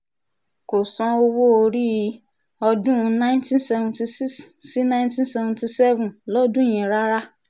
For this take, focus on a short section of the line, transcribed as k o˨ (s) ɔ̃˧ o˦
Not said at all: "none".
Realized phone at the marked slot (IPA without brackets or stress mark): s